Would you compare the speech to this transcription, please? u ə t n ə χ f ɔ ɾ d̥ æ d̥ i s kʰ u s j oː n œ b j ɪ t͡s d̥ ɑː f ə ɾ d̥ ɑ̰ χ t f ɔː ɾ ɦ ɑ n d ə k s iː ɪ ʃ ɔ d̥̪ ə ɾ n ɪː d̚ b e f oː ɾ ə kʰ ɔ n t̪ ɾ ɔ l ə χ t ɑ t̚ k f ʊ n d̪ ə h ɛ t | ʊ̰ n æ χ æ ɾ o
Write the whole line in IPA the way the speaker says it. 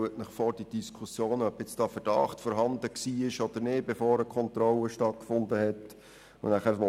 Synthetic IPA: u ə t n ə χ f ɔ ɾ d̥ i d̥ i s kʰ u s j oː n œ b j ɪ t͡s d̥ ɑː f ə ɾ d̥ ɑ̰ χ t f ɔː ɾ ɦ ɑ n d ə k s iː ɪ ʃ ɔ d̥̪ ə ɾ n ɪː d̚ b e f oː ɾ ə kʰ ɔ n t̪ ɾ ɔ l ə ʃ t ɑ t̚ k f ʊ n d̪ ə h ɛ t | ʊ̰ n æ χ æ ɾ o

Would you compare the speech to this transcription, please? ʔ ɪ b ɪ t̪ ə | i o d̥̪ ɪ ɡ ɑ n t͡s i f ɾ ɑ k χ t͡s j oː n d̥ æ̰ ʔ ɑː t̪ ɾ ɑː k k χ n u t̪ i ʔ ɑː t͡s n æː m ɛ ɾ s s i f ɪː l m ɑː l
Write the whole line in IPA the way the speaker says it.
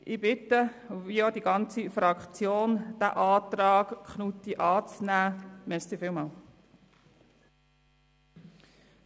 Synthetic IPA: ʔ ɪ b ɪ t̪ ə | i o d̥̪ i ɡ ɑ n t͡s i f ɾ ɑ k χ t͡s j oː n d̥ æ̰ ʔ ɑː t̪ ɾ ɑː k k χ n u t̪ i ʔ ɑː t͡s n æː m ɛ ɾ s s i f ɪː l m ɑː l

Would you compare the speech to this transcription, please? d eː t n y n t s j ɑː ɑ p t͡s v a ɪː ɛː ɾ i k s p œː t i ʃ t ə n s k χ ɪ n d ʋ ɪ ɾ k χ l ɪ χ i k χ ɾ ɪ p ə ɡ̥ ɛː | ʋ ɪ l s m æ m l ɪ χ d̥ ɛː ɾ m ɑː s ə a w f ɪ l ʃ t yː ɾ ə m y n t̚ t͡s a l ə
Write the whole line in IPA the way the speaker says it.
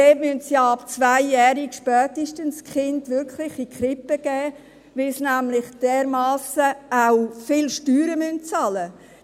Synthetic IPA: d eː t m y n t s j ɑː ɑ p t͡s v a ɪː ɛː ɾ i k ʃ p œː t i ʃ t ə n s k χ ɪ n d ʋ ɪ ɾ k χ l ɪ χ i k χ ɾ ɪ p ə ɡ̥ ɛː | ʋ ɪ l s n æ m l ɪ χ d̥ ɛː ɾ m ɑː s ə a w f ɪ l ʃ t yː ɾ ə m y n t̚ t͡s ɑ l ə

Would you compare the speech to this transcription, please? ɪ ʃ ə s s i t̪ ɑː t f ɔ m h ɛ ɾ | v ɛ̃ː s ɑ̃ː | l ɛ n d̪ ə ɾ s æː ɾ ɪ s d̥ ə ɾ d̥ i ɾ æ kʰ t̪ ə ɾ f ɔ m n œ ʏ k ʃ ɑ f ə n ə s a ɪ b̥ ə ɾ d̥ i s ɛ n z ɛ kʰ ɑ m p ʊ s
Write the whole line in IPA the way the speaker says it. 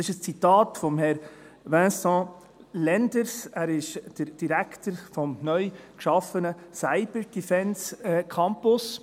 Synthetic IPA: ɪ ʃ ə s t͡s i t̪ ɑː t f ɔ m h ɛ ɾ | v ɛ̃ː s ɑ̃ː | l ɛ n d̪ ə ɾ s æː ɾ ɪ ʃ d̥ ə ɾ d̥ i ɾ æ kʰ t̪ ə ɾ f ɔ m n œ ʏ k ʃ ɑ f ə n ə s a ɪ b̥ ə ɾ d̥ i f ɛ n s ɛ kʰ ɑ m p ʊ s

